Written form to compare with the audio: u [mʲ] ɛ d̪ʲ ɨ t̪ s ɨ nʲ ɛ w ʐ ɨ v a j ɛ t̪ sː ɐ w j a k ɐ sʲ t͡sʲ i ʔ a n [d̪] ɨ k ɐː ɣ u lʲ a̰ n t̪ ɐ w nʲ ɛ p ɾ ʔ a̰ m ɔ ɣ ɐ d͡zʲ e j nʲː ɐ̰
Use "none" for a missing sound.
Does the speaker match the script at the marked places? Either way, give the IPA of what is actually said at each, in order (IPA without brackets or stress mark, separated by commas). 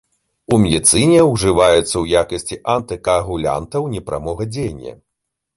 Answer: mʲ, t̪